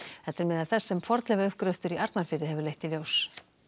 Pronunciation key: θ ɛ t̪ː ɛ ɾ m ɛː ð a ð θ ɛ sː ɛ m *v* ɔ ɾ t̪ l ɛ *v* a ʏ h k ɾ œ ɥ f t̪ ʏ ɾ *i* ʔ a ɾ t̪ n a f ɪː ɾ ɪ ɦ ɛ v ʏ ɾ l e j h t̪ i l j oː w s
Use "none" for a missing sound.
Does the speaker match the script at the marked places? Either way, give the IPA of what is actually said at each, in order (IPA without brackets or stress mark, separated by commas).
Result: f, ɣ, i